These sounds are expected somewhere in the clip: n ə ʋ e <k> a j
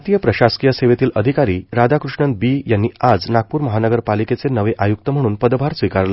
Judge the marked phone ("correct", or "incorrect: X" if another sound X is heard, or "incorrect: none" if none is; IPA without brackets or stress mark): incorrect: ʔ